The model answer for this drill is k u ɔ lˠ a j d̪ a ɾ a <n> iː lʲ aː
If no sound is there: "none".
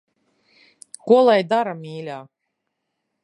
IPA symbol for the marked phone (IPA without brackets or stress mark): m